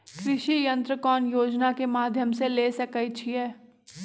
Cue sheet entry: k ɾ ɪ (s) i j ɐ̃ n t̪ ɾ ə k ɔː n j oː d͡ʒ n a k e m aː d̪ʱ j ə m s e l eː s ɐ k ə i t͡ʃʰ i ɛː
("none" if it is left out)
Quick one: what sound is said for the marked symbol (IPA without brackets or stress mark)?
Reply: ʃ